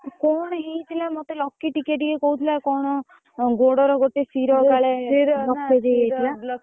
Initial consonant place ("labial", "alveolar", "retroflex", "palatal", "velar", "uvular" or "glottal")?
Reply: velar